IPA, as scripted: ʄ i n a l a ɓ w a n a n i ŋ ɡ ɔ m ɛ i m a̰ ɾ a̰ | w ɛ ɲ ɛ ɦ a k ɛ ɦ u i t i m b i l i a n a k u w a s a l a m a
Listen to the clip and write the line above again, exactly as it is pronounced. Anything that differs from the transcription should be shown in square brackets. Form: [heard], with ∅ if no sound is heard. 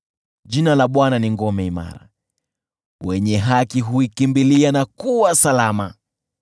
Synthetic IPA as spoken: ʄ i n a l a ɓ w a n a n i ŋ ɡ ɔ m ɛ i m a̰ ɾ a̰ | w ɛ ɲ ɛ ɦ a k [i] ɦ u i [k] i m b i l i a n a k u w a s a l a m a